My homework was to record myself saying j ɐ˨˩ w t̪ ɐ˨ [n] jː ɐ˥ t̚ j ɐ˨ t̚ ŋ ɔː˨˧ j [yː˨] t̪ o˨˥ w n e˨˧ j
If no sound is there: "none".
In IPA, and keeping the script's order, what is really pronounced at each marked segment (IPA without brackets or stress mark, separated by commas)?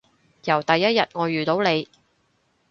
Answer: none, yː˨